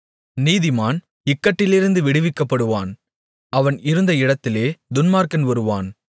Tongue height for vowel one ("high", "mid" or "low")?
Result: high